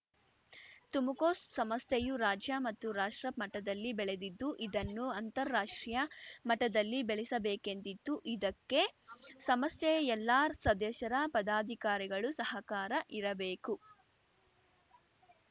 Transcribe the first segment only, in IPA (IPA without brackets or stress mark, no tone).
t̪